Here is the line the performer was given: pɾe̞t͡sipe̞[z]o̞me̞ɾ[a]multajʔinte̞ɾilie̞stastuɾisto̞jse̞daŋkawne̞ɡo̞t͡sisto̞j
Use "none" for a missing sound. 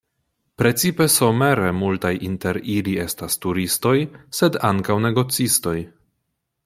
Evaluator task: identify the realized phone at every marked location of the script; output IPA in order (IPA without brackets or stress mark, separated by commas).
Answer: s, e